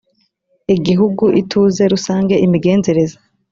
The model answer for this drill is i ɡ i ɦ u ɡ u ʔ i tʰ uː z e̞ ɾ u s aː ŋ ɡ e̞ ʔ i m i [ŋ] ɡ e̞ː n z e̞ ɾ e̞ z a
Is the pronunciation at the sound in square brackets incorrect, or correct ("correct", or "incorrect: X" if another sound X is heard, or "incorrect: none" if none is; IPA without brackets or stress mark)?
incorrect: none